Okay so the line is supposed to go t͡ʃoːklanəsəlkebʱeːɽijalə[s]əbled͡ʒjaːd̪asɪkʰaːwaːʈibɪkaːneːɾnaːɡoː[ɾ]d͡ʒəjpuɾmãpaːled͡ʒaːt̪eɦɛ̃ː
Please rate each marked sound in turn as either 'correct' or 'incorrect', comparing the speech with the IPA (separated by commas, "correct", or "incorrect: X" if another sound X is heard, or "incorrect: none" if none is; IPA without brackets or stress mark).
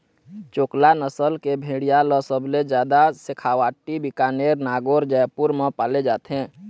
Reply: correct, correct